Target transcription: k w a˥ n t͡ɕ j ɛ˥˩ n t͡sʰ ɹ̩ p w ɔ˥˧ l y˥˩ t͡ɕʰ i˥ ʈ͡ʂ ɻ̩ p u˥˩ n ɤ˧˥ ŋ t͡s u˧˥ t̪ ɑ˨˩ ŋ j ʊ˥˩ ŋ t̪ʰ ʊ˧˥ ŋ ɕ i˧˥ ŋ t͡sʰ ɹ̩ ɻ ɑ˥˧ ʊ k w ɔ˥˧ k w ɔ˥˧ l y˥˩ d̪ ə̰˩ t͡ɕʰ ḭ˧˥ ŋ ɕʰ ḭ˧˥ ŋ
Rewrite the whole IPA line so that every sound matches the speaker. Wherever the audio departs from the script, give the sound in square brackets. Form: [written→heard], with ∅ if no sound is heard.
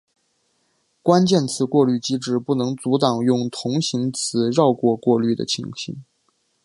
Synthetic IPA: k w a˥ n t͡ɕ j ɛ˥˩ n t͡sʰ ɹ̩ [p→k] w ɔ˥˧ l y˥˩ [t͡ɕʰ→t͡ɕ] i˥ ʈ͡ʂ ɻ̩ p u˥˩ n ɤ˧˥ ŋ t͡s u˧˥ t̪ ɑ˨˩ ŋ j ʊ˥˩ ŋ t̪ʰ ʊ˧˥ ŋ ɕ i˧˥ ŋ t͡sʰ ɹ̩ ɻ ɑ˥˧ ʊ k w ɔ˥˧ k w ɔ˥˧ l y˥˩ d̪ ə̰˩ t͡ɕʰ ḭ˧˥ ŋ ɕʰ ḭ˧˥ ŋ